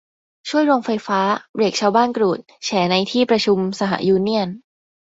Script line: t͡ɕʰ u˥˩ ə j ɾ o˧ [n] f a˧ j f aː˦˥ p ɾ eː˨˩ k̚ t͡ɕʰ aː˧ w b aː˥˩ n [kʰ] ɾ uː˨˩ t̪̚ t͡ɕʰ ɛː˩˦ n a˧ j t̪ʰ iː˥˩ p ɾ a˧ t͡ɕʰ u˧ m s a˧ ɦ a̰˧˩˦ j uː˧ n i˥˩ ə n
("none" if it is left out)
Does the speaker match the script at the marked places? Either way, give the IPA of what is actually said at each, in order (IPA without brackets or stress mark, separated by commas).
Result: ŋ, k